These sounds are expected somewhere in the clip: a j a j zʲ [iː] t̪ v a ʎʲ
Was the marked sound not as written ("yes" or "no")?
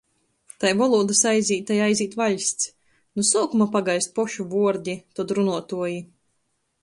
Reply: no